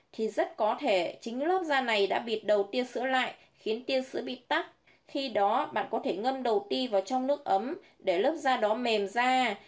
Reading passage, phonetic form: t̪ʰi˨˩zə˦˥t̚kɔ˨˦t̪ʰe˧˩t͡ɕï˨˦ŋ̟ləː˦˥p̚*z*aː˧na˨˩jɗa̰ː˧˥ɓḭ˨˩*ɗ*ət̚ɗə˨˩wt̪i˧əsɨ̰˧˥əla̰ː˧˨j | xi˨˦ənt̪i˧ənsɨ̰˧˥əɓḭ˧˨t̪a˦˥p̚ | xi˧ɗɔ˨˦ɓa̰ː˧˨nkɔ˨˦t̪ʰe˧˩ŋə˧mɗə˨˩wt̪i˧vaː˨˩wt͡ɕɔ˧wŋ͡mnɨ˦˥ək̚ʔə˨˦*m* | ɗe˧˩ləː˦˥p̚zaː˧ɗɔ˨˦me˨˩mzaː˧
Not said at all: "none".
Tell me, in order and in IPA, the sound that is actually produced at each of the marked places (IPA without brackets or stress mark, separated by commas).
z, none, m